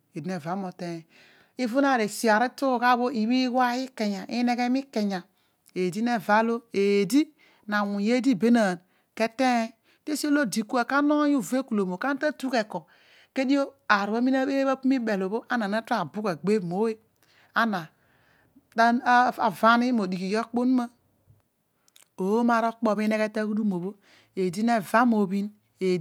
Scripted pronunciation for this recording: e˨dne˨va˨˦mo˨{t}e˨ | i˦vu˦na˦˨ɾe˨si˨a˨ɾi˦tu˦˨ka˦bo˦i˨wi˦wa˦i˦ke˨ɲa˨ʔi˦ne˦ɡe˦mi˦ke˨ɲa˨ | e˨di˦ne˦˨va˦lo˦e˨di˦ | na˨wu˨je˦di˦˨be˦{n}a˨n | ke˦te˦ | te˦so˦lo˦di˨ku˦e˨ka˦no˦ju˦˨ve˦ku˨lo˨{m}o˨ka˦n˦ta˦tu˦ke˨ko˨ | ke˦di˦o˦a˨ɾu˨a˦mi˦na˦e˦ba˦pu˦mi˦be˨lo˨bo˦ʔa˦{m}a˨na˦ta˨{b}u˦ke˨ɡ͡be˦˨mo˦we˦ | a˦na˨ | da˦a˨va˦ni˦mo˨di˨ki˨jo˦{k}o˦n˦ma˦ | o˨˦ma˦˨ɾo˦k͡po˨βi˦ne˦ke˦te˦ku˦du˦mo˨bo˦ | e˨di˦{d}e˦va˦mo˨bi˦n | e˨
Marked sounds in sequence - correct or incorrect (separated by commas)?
correct, correct, correct, incorrect, correct, incorrect, incorrect